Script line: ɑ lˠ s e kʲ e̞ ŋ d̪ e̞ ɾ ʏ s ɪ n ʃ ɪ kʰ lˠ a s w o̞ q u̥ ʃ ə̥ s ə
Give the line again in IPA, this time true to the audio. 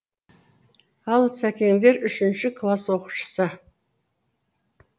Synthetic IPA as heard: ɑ lˠ s æ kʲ e̞ ŋ d̪ e̞ ɾ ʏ ʃ ɪ n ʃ ɪ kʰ lˠ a s w o̞ q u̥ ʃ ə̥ s ə

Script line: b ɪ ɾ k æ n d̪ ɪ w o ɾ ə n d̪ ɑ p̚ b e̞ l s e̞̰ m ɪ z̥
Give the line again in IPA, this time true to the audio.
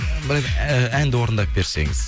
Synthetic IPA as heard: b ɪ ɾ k æ n d̪ ɪ w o ɾ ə n d̪ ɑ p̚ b e̞ ɾ s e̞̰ ŋ ɪ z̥

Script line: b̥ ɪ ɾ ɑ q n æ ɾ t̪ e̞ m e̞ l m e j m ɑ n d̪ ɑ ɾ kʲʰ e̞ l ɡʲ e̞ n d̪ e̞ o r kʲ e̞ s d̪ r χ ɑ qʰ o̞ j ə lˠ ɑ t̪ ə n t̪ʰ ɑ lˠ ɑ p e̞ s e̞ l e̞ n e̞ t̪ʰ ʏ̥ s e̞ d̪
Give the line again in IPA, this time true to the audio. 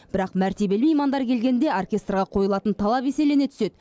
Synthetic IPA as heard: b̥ ɪ ɾ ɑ q m æ ɾ t̪ e̞ b e̞ l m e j m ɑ n d̪ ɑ ɾ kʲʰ e̞ l ɡʲ e̞ n d̪ e̞ o r kʲ e̞ s t̪ r ʁ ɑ qʰ o̞ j ə lˠ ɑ t̪ ə n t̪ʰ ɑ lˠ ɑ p e̞ s e̞ l e̞ n e̞ t̪ʰ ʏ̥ s e̞ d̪

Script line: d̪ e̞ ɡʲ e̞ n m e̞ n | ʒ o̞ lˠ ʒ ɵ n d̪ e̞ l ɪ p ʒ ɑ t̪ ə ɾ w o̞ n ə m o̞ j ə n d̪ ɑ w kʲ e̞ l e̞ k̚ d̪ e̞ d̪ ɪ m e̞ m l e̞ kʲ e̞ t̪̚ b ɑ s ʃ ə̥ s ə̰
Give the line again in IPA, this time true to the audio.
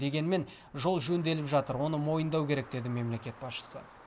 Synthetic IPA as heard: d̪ e̞ ɡʲ e̞ n m e̞ n | ʒ o̞ lˠ ʒ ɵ n d̪ e̞ l ɪ p ʒ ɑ t̪ ə ɾ w o̞ n ə m o̞ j ə n d̪ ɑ w kʲ e̞ ɾ e̞ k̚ d̪ e̞ d̪ ɪ m e̞ m l e̞ kʲ e̞ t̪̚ b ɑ s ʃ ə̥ s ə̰

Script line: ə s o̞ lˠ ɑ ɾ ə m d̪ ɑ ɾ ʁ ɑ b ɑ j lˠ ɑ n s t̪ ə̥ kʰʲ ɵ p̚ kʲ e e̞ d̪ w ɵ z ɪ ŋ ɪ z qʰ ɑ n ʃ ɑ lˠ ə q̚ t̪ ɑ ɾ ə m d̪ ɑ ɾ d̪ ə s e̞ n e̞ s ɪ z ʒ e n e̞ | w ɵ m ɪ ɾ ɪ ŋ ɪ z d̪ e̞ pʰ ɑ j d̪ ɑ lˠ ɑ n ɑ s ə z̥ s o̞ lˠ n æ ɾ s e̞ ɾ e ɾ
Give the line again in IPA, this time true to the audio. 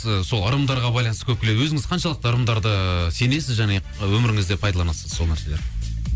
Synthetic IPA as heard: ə s o̞ lˠ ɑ ɾ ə m d̪ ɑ ɾ ʁ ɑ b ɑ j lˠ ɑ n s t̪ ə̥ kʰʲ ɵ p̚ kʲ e e̞ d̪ w ɵ z ɪ ŋ ɪ z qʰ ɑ n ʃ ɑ lˠ ə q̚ t̪ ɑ ɾ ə m d̪ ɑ ɾ d̪ ə s e̞ n e̞ s ɪ z ʒ æ n e̞ | w ɵ m ɪ ɾ ɪ ŋ ɪ z d̪ e̞ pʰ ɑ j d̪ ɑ lˠ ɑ n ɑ s ə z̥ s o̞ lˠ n æ ɾ s e̞ l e ɾ

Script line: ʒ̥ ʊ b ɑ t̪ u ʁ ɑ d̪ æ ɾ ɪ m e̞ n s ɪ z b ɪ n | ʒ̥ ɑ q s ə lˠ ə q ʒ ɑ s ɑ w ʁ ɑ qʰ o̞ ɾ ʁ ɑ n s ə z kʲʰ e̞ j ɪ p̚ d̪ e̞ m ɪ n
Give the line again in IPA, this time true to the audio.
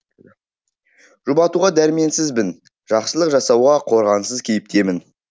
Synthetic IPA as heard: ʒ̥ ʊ b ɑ t̪ u ʁ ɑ d̪ æ ɾ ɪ m e̞ n s ɪ z b ɪ n | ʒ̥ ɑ q s ə lˠ ə q ʒ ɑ s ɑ w ʁ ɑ qʰ o̞ ɾ ʁ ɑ n s ə z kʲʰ e̞ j ɪ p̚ t̪ e̞ m ɪ n

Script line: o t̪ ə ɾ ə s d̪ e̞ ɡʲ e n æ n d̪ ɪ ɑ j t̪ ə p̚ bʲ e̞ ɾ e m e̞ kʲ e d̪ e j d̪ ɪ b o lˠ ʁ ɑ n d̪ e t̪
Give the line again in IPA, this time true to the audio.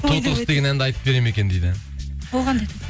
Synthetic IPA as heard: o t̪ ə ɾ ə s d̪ e̞ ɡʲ e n æ n d̪ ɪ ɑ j t̪ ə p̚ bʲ e̞ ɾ e m e̞ kʲ e d̪ e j d̪ ɪ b o lˠ ʁ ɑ n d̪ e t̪

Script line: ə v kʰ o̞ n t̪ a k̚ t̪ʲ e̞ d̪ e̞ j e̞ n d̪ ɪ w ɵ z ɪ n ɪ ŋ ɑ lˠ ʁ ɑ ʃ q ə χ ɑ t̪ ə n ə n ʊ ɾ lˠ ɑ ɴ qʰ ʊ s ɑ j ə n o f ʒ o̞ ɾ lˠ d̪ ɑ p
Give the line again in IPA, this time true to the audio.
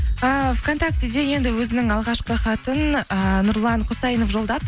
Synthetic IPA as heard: ə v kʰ o̞ n t̪ a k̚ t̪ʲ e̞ d̪ e̞ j e̞ n d̪ ɪ w ɵ z ɪ n ɪ ŋ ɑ lˠ ʁ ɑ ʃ q ə χ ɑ t̪ ə n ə n ʊ ɾ lˠ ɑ ɴ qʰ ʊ s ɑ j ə n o f ʒ o̞ lˠ d̪ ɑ p

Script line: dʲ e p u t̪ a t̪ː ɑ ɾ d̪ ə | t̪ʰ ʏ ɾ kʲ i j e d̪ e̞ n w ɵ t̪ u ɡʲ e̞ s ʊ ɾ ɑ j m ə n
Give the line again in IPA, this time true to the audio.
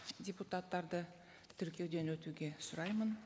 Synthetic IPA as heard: dʲ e p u t̪ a t̪ː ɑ ɾ d̪ ə | t̪ʰ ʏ ɾ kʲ i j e d̪ e̞ n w ɵ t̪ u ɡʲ e̞ s ʊ ɾ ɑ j m ə n

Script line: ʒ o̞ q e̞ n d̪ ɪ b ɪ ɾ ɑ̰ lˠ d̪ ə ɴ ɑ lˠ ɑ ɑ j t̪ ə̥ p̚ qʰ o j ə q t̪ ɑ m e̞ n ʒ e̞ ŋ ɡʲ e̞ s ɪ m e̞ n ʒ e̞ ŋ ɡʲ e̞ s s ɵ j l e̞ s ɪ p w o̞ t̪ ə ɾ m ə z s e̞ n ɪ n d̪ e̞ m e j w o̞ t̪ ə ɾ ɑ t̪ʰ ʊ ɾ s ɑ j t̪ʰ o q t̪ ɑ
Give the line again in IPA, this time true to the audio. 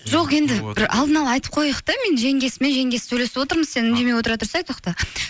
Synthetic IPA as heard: ʒ o̞ q e̞ n d̪ ɪ b ɪ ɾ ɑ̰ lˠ d̪ ə n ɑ lˠ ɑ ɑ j t̪ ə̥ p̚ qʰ o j ə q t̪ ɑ m e̞ n ʒ e̞ ŋ ɡʲ e̞ s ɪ m e̞ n ʒ e̞ ŋ ɡʲ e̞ s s ɵ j l e̞ s ɪ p w o̞ t̪ ə ɾ m ə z s e̞ n ɪ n d̪ e̞ m e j w o̞ t̪ ə ɾ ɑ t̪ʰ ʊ ɾ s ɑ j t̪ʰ o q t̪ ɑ

